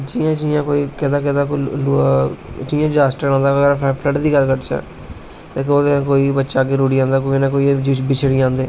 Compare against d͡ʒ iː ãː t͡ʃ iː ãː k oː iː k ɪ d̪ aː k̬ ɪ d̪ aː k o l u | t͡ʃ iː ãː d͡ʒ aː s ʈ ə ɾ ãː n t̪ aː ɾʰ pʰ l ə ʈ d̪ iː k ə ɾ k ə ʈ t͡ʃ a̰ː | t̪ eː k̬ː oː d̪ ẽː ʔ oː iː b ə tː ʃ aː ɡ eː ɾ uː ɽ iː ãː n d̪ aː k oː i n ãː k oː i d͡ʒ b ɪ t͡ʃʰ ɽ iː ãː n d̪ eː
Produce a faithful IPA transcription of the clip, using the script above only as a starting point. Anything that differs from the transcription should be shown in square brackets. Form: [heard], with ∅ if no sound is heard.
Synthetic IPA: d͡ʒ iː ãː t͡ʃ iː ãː k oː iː k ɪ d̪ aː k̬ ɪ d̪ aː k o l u | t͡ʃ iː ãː d͡ʒ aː s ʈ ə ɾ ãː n [d̪] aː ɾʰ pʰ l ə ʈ d̪ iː k ə ɾ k ə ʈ t͡ʃ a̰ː | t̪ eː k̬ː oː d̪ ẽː [k] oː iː b ə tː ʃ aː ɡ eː ɾ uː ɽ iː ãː n d̪ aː k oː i n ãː k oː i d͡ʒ b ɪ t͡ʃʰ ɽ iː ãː n d̪ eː